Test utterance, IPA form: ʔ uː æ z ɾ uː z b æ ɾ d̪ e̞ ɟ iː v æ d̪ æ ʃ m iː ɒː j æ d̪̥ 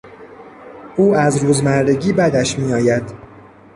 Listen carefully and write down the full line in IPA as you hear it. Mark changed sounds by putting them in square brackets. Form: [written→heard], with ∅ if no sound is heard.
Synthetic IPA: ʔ uː æ z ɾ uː z [b→m] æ ɾ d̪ e̞ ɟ iː [v→b] æ d̪ æ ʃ m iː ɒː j æ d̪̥